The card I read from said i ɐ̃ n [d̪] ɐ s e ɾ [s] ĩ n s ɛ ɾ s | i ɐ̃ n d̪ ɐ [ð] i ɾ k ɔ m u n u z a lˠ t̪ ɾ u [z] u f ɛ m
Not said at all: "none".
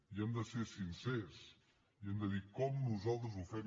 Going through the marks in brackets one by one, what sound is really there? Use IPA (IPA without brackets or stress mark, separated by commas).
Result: d̪, s, ð, z